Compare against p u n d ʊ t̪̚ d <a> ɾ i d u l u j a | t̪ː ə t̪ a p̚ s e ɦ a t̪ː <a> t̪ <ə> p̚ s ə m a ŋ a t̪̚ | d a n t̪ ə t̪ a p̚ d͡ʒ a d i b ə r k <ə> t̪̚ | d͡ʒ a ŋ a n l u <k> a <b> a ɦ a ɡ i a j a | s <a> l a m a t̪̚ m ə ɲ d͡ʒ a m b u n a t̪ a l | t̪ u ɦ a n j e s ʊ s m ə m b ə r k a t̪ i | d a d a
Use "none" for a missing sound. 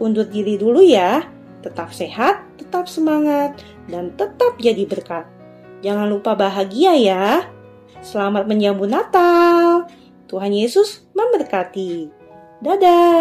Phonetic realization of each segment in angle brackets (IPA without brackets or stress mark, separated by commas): i, ə, a, a, p, b, ə